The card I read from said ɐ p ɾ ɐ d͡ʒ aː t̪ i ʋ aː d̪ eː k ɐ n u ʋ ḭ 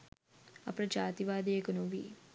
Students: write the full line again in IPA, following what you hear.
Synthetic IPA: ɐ p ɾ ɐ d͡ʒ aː t̪ i ʋ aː d̪ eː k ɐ n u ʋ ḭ